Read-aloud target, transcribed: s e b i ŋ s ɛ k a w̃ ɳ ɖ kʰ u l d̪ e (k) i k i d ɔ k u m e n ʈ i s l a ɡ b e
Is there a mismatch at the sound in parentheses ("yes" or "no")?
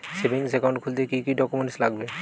no